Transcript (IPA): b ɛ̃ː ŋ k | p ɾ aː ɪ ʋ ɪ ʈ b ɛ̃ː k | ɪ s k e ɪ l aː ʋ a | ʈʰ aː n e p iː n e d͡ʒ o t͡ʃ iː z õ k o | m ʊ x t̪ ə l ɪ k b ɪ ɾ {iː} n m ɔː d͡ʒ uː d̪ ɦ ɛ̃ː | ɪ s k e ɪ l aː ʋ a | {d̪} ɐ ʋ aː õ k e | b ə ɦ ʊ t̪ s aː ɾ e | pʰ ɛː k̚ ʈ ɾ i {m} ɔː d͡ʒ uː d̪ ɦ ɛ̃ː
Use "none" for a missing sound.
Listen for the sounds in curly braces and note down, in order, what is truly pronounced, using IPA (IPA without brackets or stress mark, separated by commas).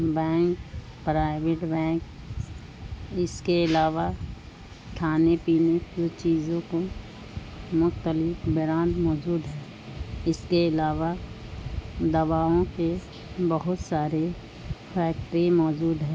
aː, d̪, m